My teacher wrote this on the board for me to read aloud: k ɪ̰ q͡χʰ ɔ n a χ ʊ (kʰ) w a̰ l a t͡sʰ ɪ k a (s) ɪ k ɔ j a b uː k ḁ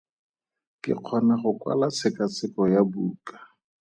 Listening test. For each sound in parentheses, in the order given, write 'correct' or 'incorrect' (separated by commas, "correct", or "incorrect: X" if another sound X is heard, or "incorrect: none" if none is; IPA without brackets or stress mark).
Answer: incorrect: k, incorrect: t͡s